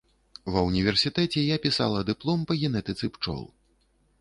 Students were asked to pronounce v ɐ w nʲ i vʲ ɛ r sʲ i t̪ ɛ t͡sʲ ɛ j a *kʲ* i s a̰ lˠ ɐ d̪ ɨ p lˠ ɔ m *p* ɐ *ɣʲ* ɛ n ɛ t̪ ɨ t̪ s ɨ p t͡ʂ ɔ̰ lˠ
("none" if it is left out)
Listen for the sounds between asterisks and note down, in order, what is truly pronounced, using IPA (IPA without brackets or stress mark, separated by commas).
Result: pʲ, p, ɣʲ